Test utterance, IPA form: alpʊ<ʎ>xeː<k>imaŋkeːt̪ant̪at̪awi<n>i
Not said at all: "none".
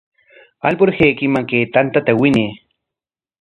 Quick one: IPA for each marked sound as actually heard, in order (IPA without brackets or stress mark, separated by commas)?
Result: ɾ, k, n